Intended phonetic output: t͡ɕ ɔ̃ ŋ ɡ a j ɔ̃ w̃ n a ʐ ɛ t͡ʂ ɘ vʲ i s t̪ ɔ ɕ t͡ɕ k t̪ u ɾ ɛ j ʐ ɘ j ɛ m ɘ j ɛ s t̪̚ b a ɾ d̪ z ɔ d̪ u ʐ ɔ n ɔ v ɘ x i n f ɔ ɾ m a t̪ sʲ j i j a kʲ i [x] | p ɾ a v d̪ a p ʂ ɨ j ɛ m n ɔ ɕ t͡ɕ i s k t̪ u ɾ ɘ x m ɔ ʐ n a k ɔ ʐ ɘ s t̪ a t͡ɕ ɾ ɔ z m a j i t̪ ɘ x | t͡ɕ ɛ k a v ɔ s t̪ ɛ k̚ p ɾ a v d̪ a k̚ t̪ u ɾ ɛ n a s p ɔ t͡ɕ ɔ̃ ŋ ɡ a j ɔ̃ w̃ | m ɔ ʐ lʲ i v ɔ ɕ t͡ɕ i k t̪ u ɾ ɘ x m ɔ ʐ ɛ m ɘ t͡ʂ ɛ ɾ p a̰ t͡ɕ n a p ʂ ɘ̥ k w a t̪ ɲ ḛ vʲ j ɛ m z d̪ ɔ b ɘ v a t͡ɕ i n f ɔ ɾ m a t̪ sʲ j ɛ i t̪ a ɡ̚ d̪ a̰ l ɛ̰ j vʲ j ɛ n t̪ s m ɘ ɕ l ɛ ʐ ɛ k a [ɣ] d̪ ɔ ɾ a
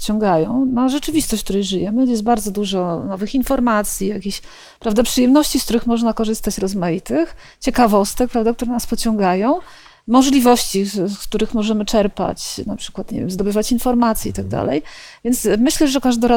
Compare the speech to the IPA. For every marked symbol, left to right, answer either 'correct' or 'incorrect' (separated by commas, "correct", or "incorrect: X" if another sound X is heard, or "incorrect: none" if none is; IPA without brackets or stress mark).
incorrect: ɕ, incorrect: ʐ